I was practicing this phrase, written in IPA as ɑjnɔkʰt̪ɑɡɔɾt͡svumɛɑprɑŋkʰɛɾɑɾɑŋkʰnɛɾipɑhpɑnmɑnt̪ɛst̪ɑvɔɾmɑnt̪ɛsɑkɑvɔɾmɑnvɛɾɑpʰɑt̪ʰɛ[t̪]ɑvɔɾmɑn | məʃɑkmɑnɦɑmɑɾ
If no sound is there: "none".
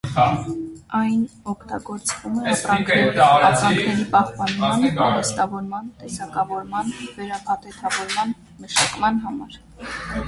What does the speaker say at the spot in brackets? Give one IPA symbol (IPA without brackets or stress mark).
t̪ʰ